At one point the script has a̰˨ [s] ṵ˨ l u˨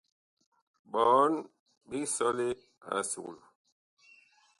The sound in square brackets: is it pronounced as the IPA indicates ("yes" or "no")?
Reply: yes